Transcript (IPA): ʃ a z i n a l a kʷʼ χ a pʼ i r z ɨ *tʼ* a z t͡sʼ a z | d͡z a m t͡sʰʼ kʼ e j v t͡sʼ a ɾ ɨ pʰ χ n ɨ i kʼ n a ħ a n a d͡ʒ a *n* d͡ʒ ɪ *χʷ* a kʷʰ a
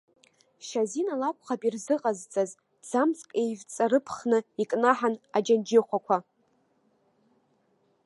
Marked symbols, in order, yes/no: no, yes, yes

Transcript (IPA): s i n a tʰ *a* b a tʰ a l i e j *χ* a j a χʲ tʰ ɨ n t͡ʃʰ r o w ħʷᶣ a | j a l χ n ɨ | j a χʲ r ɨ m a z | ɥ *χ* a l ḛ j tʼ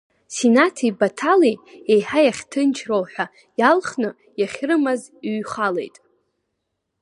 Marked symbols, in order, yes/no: no, no, yes

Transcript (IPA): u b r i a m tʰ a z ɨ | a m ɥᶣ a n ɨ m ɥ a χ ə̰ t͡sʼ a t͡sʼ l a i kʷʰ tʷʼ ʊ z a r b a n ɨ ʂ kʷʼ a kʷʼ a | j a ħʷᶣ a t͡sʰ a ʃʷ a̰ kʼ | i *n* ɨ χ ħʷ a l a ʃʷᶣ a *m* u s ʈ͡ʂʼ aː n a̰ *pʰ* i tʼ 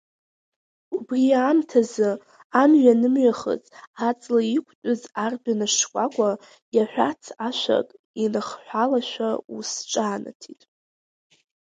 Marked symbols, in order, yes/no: yes, no, no

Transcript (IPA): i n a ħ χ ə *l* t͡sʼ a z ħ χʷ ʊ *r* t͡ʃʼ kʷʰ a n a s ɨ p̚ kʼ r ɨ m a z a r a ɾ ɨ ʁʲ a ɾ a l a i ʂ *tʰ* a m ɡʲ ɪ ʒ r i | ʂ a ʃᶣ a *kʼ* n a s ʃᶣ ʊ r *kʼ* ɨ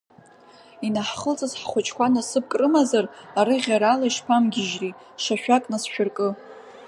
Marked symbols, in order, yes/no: yes, no, no, yes, yes

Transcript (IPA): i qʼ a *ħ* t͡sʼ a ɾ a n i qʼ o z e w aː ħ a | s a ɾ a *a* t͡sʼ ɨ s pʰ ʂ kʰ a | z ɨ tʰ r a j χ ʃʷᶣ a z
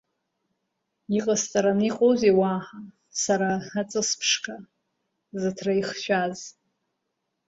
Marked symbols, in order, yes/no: no, yes

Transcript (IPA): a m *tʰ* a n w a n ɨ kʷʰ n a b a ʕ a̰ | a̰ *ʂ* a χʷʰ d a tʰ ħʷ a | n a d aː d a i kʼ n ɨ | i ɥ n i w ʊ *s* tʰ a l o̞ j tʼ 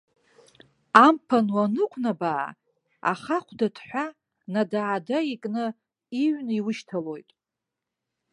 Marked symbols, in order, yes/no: no, no, no

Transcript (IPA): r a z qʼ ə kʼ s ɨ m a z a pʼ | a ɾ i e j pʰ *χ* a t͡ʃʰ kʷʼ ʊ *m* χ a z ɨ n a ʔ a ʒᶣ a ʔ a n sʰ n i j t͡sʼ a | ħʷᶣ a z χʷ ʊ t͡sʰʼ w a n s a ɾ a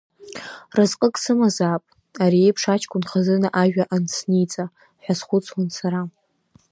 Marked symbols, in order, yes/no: no, no

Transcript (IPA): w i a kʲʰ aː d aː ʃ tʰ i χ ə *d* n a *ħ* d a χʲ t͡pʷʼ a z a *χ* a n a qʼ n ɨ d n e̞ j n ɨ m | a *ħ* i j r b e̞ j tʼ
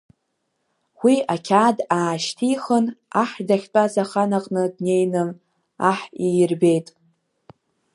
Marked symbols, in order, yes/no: no, yes, yes, yes

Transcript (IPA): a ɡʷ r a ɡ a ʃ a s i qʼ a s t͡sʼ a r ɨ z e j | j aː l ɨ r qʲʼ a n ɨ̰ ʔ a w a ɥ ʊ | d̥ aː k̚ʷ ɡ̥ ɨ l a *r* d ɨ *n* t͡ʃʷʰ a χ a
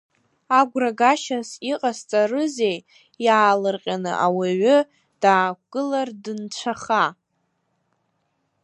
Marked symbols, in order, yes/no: yes, yes

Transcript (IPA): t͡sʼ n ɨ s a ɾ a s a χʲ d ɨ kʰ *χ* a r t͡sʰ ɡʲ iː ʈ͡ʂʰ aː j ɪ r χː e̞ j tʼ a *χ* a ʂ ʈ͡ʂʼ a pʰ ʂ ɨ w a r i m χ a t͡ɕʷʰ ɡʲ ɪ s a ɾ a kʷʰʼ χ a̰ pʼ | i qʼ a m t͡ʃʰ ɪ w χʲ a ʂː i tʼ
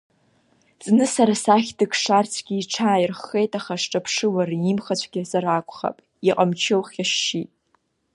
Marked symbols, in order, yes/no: no, yes

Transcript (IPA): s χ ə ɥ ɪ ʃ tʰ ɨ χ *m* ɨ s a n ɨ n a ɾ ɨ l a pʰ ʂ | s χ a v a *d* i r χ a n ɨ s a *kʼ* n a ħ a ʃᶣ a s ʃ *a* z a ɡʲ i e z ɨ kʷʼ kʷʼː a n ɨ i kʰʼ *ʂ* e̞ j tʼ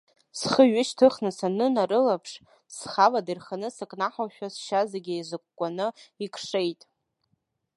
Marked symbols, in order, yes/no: no, yes, yes, yes, yes

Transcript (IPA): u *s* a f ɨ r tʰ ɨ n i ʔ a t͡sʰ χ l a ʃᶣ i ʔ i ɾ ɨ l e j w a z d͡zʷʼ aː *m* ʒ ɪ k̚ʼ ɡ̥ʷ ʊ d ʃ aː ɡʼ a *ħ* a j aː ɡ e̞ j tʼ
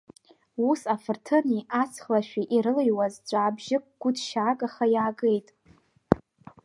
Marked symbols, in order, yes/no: yes, no, no

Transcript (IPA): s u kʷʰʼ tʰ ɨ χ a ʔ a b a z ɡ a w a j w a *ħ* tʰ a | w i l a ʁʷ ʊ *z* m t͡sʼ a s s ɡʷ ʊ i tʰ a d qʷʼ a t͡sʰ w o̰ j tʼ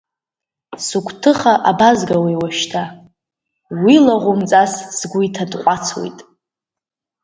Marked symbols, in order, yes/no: no, no

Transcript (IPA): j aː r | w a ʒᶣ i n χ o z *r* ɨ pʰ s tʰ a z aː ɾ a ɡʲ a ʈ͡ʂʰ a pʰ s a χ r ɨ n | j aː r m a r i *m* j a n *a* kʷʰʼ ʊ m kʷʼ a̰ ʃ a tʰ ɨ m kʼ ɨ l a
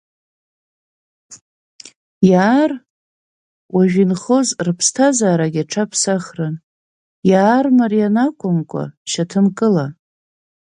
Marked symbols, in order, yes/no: yes, no, yes

